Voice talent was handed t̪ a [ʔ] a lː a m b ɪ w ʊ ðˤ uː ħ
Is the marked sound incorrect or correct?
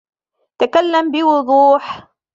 incorrect